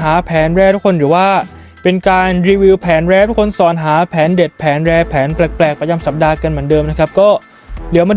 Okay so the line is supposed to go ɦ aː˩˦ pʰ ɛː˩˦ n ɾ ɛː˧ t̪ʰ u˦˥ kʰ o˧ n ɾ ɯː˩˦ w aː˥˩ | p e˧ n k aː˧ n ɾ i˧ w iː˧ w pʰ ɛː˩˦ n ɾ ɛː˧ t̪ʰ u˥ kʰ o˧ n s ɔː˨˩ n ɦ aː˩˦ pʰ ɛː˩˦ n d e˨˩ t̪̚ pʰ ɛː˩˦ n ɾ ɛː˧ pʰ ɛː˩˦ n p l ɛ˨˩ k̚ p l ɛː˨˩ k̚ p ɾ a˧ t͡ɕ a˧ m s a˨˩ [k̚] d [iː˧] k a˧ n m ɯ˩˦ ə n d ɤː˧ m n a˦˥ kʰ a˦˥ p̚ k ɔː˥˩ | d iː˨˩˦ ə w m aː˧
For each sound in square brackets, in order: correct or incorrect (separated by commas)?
incorrect, incorrect